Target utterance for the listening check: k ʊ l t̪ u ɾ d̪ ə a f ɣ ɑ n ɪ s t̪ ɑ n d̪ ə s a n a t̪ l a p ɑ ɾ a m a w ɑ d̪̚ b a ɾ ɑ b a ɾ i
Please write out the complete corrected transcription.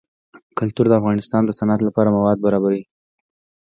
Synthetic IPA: k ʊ l t̪ u ɾ d̪ ə a f ɣ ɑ n ɪ s t̪ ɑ n d̪ ə s a n a t̪ l a p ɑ ɾ a m a w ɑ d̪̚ b a ɾ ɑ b a ɾ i

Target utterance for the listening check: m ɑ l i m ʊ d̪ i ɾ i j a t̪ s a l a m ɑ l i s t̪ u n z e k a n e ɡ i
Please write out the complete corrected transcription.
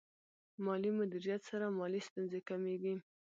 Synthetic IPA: m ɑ l i m ʊ d̪ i ɾ i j a t̪ s a ɾ a m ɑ l i s t̪ u n z e k a m e ɡ i

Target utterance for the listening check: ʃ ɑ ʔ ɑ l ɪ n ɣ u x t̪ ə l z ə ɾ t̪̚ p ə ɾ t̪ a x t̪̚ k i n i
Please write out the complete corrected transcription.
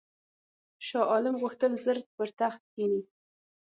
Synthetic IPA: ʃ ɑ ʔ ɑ l ɪ m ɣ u x t̪ ə l z ə ɾ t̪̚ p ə ɾ t̪ a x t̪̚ k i n i

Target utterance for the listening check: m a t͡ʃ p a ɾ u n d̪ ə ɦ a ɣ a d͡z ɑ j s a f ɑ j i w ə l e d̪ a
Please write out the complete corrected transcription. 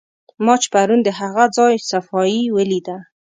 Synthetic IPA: m ɑ t͡ʃ p a ɾ u n d̪ ə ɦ a ɣ a d͡z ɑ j s a f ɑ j i w ə l i d̪ a

